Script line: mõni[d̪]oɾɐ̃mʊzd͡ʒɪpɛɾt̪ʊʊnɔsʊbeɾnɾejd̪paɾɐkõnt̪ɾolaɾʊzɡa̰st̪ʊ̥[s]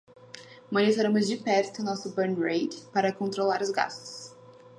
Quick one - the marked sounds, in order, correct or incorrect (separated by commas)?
incorrect, correct